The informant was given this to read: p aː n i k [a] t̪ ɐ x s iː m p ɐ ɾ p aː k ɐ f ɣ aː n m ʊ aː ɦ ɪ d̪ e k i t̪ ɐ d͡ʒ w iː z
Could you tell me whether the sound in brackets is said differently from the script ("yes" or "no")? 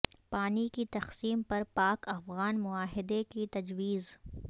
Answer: yes